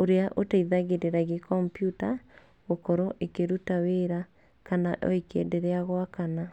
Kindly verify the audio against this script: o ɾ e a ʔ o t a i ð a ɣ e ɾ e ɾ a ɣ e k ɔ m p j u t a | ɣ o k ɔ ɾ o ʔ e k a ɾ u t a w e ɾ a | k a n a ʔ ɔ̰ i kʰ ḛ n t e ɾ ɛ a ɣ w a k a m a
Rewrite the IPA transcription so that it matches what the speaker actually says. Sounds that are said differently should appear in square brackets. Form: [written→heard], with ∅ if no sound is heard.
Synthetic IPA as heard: o ɾ e a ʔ o t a i ð a ɣ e ɾ e ɾ a ɣ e k ɔ m p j u t a | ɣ o k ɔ ɾ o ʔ e k [a→e] ɾ u t a w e ɾ a | k a n a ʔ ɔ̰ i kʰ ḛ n [t→d] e ɾ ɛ a ɣ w a k a [m→n] a